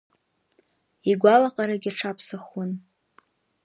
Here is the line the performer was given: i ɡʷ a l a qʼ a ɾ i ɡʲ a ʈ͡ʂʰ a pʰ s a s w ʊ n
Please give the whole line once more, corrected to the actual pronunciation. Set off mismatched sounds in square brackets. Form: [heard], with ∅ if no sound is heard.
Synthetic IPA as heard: i ɡʷ a l a qʼ a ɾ [a] ɡʲ a ʈ͡ʂʰ a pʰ s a [χ] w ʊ n